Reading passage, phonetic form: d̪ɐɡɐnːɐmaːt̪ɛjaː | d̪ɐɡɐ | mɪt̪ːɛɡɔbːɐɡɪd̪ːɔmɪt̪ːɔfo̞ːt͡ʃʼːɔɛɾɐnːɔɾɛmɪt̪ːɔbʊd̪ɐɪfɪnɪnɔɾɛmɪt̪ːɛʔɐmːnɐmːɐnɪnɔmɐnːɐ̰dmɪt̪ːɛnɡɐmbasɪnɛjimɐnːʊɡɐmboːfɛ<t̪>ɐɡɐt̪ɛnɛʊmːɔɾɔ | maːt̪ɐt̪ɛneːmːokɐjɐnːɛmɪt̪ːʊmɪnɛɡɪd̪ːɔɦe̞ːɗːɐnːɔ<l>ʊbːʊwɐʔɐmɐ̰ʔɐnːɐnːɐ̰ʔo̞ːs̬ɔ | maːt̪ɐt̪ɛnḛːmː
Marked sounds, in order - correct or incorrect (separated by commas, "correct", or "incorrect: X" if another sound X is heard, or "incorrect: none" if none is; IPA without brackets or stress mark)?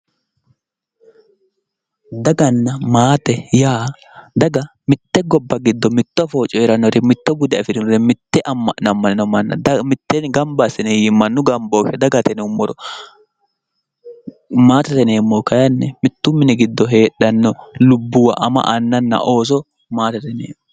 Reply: incorrect: d̪, correct